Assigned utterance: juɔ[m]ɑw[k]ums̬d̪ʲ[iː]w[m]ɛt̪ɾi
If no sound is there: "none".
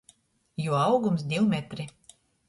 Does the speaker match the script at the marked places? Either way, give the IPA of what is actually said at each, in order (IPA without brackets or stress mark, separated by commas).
none, ɡ, i, m